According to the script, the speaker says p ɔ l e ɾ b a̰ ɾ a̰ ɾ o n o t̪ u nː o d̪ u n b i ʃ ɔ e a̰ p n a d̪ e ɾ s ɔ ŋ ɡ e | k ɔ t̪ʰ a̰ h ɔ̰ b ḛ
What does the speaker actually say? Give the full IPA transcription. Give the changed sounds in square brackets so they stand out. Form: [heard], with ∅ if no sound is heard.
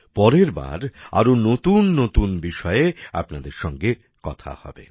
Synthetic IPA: p ɔ [ɾ] e ɾ b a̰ ɾ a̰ ɾ o n o t̪ u nː o [t̪] u n b i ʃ ɔ e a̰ p n a d̪ e ɾ [ʃ] ɔ ŋ ɡ e | k ɔ t̪ʰ a̰ h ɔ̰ b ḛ